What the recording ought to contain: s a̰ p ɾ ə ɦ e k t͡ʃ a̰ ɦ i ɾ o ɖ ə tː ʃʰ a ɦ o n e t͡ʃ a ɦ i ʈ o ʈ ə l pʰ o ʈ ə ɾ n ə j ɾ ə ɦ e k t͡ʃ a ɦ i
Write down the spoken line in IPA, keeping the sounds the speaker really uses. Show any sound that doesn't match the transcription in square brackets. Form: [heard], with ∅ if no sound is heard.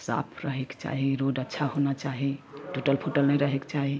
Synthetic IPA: s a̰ [pʰ] ɾ ə ɦ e k t͡ʃ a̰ ɦ i ɾ o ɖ ə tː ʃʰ a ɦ o n [a] t͡ʃ a ɦ i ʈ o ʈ ə l pʰ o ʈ ə [l] n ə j ɾ ə ɦ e k t͡ʃ a ɦ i